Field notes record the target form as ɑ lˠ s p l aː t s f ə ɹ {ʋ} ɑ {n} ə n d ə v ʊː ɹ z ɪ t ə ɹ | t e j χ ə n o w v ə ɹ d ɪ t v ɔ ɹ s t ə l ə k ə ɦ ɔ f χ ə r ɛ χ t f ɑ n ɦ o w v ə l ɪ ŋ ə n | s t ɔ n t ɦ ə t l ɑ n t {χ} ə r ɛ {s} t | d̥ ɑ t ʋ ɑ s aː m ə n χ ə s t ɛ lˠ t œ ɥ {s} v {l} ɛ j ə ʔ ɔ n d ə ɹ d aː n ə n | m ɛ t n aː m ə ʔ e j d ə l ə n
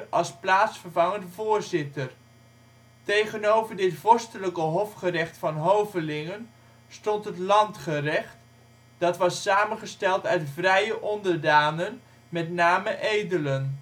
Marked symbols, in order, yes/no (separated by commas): no, no, yes, no, no, no